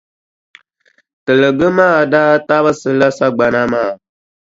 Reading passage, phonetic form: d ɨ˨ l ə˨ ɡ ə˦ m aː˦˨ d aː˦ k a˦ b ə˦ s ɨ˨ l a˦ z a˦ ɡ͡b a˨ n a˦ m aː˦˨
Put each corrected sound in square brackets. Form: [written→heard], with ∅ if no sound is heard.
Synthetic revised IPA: [d→t] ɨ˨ l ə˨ ɡ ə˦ m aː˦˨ d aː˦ [k→t] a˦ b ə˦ s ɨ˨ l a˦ [z→s] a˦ ɡ͡b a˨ n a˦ m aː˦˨